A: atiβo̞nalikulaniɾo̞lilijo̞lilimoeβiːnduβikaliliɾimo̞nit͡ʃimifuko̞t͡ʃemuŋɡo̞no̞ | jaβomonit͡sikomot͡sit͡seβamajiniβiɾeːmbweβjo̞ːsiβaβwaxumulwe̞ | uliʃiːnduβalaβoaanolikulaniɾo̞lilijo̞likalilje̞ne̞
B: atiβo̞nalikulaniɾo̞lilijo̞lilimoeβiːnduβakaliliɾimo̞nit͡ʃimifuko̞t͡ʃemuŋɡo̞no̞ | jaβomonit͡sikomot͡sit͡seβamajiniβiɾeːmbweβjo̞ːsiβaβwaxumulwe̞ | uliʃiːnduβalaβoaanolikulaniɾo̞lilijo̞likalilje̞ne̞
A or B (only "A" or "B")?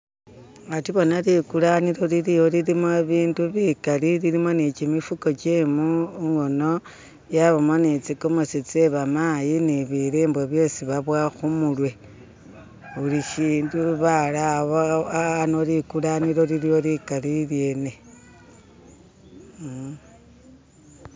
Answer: A